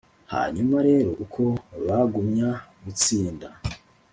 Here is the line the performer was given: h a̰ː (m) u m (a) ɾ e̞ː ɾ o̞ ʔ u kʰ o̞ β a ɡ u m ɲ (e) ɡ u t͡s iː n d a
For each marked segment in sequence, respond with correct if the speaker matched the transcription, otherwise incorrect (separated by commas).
incorrect, correct, incorrect